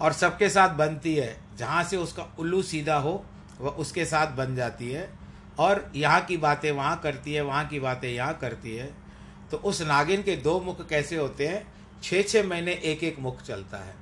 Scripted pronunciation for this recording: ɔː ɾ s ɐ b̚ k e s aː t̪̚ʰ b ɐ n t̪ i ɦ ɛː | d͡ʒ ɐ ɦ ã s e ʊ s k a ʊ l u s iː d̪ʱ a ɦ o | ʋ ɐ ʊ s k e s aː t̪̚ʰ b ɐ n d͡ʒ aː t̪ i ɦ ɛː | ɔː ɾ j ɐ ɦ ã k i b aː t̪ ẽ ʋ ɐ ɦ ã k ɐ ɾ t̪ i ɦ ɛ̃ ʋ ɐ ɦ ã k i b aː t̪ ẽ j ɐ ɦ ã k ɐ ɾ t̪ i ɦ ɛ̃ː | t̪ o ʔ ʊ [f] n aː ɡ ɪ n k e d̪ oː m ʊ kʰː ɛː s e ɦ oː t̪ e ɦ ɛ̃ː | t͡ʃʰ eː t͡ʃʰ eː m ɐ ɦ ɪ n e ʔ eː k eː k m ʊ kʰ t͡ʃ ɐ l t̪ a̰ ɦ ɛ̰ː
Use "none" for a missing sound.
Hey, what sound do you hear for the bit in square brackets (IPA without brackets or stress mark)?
s